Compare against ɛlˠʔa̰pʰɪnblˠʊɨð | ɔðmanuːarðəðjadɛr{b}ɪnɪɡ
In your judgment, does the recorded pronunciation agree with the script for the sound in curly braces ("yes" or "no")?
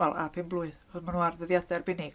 yes